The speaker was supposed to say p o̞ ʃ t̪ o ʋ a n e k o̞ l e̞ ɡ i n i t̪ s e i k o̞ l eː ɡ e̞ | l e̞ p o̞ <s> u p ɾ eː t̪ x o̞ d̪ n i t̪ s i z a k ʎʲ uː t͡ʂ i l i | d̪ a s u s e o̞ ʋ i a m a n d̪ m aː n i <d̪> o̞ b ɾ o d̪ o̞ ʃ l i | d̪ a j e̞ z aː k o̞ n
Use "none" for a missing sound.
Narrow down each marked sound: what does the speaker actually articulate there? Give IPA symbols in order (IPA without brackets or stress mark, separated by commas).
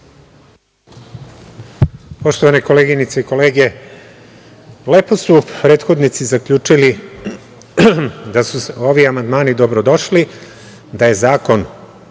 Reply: s, d̪